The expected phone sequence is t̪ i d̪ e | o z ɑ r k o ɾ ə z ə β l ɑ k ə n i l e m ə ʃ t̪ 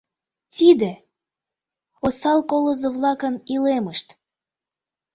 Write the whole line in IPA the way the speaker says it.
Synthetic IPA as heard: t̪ i d̪ e | o s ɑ l k o l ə z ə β l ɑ k ə n i l e m ə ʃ t̪